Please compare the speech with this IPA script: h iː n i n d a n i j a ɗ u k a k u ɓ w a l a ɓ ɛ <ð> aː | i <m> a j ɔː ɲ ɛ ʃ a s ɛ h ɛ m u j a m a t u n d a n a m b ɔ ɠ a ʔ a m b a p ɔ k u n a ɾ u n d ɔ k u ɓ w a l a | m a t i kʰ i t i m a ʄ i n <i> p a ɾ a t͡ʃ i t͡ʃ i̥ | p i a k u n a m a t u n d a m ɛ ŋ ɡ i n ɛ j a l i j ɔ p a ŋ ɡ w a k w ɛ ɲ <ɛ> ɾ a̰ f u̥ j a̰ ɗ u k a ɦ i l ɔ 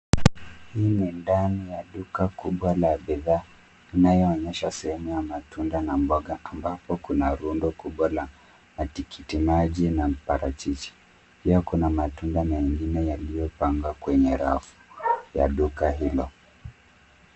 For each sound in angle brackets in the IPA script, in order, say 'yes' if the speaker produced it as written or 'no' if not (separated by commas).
yes, no, no, yes